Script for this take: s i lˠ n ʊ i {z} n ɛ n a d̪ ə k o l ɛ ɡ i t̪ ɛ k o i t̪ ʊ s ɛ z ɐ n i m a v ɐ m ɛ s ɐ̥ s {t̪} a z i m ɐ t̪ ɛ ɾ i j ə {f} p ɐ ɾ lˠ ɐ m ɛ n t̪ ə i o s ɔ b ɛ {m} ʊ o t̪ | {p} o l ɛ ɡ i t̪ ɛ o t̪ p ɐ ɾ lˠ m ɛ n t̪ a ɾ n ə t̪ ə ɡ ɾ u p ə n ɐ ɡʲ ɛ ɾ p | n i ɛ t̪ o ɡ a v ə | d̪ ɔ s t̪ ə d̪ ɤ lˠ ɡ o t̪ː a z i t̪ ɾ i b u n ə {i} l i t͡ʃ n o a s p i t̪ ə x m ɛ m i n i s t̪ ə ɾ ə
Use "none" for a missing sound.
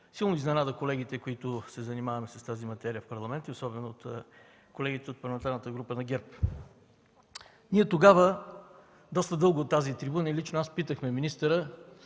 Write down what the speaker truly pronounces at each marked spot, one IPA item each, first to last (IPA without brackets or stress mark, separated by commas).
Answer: z, t̪, f, n, k, i